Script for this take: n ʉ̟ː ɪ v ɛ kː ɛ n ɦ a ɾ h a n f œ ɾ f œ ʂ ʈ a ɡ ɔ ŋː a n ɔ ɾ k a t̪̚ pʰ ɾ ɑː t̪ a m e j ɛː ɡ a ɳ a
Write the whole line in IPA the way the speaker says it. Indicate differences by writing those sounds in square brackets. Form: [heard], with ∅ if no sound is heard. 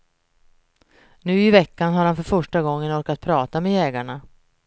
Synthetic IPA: n ʉ̟ː ɪ v ɛ kː [a] n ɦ a ɾ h a n f œ ɾ f œ ʂ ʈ a ɡ ɔ ŋː [ə] n ɔ ɾ k a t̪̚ pʰ ɾ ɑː t̪ a m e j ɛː ɡ a ɳ a